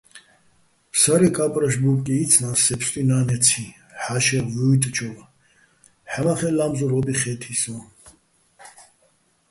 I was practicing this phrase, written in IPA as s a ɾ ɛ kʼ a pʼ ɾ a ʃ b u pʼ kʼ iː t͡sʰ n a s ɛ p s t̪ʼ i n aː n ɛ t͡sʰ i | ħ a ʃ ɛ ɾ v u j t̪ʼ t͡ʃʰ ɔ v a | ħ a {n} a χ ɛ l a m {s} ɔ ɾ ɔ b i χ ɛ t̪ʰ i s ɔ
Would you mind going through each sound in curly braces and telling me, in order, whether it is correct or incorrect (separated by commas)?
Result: incorrect, incorrect